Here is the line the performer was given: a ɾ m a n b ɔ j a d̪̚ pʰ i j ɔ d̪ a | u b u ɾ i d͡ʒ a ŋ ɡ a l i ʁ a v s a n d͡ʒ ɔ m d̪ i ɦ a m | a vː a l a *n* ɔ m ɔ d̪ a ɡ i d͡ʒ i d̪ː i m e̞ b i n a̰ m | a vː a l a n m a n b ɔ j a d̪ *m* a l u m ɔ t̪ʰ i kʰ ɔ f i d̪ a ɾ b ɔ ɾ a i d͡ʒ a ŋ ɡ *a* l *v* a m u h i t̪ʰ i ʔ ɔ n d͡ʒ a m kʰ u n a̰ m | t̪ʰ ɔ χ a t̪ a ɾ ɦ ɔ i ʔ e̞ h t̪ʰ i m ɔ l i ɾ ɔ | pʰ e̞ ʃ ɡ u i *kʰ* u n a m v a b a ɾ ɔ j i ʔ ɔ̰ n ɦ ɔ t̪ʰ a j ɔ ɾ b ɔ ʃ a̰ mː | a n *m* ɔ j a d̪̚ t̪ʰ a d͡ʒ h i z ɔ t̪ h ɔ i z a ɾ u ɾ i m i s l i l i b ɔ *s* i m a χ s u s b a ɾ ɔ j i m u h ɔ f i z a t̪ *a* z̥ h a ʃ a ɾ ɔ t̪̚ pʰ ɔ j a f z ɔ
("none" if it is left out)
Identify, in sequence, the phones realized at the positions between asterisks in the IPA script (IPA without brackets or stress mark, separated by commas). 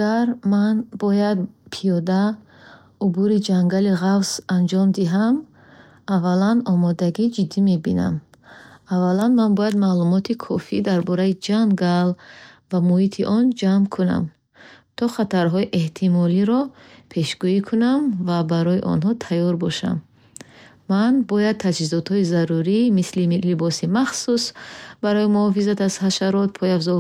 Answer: n, m, a, v, kʰ, b, s, a